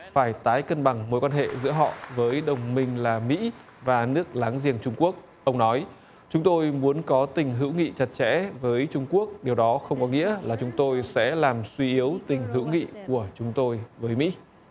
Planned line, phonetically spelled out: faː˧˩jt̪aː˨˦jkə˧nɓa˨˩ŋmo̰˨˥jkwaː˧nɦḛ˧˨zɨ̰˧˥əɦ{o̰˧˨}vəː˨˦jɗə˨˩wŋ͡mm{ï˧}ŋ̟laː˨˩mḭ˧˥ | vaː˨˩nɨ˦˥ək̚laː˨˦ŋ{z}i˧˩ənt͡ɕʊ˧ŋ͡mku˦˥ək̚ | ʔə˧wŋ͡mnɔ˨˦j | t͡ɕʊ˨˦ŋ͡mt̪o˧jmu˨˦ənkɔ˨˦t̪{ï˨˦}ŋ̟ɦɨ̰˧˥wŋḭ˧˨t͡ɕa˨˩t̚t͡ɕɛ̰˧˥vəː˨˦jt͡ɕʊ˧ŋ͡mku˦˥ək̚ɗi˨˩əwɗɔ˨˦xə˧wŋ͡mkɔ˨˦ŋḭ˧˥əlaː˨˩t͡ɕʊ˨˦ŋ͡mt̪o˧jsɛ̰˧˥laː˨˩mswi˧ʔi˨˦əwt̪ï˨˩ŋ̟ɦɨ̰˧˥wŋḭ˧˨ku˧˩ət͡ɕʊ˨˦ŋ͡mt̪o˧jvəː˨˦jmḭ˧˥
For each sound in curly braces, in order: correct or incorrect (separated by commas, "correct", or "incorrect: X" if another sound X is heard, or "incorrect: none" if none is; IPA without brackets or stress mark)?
incorrect: ɔ̰˧˨, correct, correct, incorrect: ï˨˩